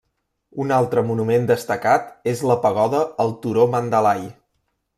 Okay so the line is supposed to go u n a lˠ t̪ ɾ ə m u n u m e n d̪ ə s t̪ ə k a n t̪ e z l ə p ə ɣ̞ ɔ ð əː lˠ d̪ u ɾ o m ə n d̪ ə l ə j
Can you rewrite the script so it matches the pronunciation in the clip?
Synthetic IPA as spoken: u n a lˠ t̪ ɾ ə m u n u m e n d̪ ə s t̪ ə k a t̪ e z l ə p ə ɣ̞ ɔ ð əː lˠ t̪ u ɾ o m ə n d̪ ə l a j

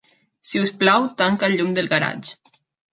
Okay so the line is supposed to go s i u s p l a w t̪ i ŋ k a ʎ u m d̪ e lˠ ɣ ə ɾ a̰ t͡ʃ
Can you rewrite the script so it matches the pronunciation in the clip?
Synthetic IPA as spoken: s i u s p l a w t̪ a ŋ k a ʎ u m d̪ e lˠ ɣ a ɾ a̰ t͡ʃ

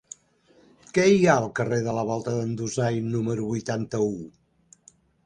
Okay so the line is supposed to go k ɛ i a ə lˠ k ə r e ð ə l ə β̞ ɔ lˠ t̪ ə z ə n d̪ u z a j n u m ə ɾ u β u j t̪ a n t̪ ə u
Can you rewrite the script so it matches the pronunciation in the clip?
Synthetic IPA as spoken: k ɛ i a ə lˠ k ə r e ð ə l ə β̞ ɔ lˠ t̪ ə ð ə n d̪ u z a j n u m ə ɾ u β u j t̪ a n t̪ ə u

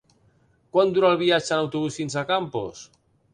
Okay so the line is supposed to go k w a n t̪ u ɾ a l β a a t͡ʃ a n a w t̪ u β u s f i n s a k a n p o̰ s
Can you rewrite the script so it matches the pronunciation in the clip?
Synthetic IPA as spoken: k w a n d̪ u ɾ a l β i a t͡ʃ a n a w t̪ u β u s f i n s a k a m p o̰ s

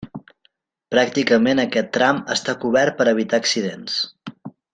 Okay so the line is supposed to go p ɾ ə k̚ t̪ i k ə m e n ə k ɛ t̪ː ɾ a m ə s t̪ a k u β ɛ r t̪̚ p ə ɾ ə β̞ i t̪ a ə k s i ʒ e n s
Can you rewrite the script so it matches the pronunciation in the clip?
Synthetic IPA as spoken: p ɾ a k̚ t̪ i k ə m e n ə k ɛ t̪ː ɾ a m ə s t̪ a k u β ɛ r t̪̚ p ə ɾ ə β̞ i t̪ a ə k s i ð e n s

